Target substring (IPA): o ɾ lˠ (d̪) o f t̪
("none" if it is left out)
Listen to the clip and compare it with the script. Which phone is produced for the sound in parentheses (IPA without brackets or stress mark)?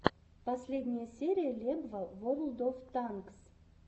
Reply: d̪